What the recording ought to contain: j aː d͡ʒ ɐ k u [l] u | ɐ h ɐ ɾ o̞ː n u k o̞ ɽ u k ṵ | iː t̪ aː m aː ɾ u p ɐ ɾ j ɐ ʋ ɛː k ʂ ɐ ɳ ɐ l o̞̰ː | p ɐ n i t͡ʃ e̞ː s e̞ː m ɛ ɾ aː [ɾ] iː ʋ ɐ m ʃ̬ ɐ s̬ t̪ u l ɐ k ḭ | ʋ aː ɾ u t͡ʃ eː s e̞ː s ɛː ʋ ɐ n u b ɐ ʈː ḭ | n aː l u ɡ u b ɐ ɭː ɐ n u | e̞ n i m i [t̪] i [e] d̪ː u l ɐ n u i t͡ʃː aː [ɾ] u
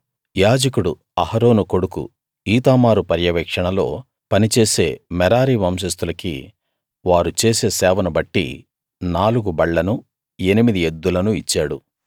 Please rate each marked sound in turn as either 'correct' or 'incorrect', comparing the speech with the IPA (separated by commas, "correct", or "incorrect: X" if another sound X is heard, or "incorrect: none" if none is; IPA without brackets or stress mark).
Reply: incorrect: ɽ, correct, incorrect: d̪, correct, incorrect: ɽ